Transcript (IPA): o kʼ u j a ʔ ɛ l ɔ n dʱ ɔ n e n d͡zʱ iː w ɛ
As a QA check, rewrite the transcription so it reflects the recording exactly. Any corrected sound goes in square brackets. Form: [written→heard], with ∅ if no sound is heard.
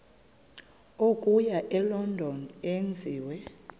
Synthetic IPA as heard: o kʼ u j a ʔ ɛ l ɔ n dʱ ɔ n e n d͡zʱ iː w ɛ